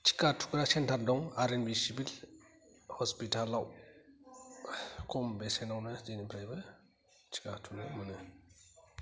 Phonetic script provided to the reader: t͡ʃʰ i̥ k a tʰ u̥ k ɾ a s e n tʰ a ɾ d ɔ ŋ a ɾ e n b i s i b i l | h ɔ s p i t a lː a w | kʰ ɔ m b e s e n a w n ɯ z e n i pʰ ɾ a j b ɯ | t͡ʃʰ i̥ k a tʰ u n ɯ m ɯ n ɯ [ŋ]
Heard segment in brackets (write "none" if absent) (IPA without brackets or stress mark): none